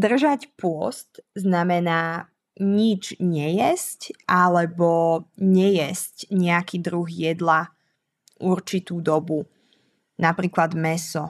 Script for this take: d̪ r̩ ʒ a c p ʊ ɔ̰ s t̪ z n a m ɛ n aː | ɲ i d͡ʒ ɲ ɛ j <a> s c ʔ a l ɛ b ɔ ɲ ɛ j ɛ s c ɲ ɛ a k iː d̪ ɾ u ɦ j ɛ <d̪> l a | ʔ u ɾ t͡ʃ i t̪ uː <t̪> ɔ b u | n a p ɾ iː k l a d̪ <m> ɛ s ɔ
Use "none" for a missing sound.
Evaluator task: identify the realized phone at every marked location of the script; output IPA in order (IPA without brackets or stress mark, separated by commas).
ɛ, d̪, d̪, m